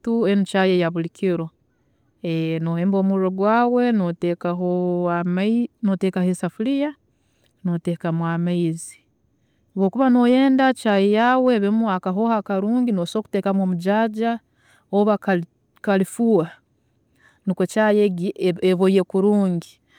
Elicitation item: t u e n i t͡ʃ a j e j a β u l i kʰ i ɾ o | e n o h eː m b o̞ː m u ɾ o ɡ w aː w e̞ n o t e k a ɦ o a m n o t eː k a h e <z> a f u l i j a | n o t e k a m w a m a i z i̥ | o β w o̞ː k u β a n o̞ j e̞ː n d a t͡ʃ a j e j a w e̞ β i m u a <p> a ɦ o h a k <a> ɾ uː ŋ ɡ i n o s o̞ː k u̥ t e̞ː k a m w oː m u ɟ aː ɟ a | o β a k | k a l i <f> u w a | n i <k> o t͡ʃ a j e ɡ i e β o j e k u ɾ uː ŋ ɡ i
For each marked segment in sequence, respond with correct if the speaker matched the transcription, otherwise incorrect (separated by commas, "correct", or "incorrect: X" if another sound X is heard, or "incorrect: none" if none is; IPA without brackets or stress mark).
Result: incorrect: s, incorrect: k, correct, correct, correct